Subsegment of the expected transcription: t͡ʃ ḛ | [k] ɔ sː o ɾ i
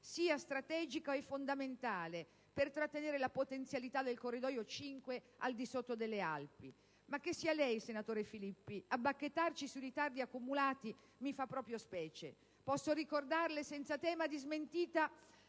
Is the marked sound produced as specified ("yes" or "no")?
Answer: no